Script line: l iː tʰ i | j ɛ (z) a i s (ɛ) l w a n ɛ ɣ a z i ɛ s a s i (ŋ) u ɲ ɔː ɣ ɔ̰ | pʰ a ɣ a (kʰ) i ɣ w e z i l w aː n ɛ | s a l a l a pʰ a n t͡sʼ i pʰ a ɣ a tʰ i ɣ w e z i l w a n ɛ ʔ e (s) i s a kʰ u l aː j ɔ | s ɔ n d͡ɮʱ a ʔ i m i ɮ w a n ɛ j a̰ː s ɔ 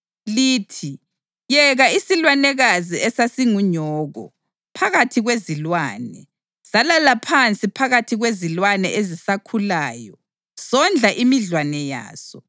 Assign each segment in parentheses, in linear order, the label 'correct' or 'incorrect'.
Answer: incorrect, incorrect, correct, incorrect, incorrect

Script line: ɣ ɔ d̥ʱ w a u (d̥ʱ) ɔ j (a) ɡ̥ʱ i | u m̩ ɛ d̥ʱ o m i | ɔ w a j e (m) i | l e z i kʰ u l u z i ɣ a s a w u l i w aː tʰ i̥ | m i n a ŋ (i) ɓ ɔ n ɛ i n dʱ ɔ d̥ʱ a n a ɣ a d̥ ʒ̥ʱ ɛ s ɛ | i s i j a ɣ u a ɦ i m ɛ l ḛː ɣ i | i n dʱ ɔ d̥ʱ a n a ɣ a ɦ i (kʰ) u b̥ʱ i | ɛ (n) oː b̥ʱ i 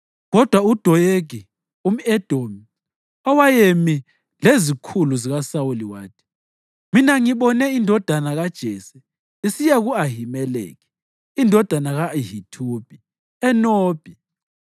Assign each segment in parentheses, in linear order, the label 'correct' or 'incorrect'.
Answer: correct, incorrect, correct, correct, incorrect, correct

